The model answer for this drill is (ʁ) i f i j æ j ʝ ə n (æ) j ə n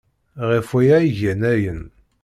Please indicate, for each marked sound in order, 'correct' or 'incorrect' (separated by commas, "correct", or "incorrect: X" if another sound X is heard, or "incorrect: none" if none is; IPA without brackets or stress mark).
correct, correct